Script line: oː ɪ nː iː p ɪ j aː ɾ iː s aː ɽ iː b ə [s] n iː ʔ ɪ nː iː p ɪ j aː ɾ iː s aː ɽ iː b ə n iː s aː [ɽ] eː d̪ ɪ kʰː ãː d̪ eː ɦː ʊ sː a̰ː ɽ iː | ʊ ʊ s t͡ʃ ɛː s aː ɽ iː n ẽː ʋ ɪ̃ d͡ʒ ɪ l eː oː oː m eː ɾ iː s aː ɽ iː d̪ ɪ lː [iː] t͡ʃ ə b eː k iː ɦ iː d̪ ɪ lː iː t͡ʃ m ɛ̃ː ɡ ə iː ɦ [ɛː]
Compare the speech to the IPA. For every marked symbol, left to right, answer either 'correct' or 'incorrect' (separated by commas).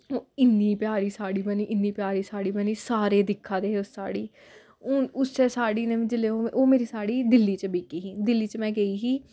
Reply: incorrect, incorrect, correct, incorrect